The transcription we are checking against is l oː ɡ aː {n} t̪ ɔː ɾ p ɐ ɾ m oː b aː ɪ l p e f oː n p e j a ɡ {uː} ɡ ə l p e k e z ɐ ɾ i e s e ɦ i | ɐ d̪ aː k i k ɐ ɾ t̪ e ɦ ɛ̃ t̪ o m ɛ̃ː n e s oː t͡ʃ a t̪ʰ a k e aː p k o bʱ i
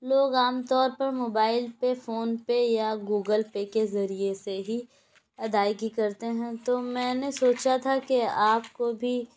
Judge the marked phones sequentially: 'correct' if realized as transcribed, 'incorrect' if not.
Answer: incorrect: m, correct

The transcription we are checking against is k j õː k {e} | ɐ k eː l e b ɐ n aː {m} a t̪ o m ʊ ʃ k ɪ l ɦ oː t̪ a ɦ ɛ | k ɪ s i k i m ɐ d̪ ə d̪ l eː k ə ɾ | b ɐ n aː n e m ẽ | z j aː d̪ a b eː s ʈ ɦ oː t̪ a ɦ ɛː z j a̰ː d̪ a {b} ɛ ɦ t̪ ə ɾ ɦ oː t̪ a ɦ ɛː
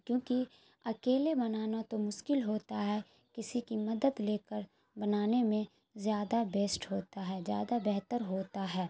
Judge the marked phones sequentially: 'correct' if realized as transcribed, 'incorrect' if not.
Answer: incorrect: i, incorrect: n, correct

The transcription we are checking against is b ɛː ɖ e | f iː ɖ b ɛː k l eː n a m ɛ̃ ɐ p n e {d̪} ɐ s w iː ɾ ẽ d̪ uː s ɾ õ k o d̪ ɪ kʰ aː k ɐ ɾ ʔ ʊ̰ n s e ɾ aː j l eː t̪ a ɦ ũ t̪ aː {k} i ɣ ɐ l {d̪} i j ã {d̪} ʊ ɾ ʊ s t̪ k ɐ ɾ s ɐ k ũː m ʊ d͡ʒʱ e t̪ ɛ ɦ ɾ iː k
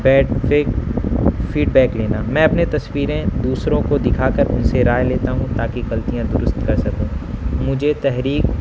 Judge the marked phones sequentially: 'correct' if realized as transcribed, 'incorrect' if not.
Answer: incorrect: t̪, correct, incorrect: t̪, correct

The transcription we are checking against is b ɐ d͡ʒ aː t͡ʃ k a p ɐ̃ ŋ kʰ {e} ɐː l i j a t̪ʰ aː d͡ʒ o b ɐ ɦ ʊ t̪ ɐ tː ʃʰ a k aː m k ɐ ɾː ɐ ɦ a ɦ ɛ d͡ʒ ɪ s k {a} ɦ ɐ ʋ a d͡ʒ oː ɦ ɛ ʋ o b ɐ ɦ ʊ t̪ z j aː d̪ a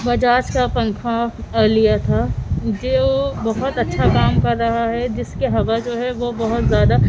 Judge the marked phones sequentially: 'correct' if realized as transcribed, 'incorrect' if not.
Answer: incorrect: a, incorrect: e

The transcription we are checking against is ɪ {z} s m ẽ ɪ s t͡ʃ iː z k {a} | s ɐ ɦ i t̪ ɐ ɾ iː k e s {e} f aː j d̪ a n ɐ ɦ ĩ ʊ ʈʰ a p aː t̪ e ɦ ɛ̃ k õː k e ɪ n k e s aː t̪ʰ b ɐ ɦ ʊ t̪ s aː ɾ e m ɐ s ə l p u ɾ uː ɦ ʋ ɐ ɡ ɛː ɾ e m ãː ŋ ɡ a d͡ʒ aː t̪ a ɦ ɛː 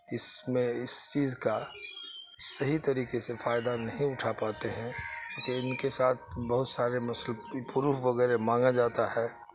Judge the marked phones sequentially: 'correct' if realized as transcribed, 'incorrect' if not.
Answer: incorrect: none, correct, correct

